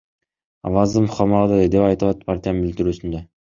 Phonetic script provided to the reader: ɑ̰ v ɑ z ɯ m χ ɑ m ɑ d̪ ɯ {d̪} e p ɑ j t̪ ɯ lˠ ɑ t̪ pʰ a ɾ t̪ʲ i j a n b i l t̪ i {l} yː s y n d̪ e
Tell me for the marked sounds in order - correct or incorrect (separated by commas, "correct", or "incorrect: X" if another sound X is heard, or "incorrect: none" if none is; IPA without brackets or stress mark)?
correct, incorrect: ɾ